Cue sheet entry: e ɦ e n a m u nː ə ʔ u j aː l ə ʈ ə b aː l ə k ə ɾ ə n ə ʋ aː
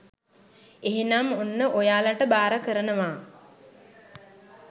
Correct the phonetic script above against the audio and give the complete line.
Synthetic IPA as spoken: e ɦ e n a m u nː ə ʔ o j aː l a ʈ ə b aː ɾ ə k ə ɾ ə n ə ʋ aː